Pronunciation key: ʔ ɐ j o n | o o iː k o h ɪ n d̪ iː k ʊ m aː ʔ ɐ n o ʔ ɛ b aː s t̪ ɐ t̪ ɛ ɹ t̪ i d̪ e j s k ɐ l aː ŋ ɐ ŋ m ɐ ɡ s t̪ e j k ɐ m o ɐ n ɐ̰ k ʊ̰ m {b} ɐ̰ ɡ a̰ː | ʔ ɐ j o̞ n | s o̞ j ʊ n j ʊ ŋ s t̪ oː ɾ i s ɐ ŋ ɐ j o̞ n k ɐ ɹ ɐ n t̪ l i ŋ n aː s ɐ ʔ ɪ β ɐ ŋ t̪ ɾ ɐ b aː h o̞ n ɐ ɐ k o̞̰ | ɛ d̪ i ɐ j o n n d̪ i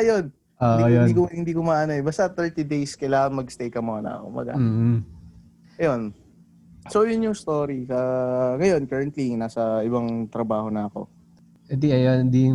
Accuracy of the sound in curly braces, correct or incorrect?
correct